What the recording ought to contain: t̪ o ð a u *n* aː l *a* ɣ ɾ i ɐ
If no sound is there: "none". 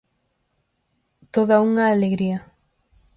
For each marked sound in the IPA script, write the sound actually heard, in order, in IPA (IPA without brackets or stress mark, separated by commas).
ŋ, e